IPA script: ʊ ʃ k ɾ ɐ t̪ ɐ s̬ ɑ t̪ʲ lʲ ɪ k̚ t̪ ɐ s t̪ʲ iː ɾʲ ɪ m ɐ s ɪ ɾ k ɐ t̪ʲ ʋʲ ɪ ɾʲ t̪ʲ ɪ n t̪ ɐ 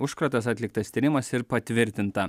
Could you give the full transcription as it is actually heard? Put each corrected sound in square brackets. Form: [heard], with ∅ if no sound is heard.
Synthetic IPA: ʊ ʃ k ɾ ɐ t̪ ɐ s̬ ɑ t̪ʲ lʲ ɪ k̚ t̪ ɐ s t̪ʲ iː ɾʲ ɪ m ɐ s ɪ ɾ [p] ɐ t̪ʲ ʋʲ ɪ ɾʲ t̪ʲ ɪ n t̪ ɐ